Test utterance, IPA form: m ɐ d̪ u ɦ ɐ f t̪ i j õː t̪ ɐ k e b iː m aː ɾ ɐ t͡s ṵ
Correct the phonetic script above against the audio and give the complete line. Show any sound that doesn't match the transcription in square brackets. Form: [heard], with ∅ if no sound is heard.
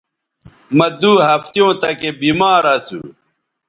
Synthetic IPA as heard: m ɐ d̪ u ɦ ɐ f t̪ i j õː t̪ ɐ k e b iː m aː ɾ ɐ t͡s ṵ